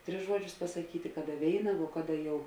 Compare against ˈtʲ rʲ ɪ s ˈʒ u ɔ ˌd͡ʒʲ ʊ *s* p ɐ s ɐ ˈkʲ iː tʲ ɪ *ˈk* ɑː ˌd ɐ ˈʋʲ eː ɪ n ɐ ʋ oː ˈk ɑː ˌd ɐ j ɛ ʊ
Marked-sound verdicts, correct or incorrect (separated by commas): correct, correct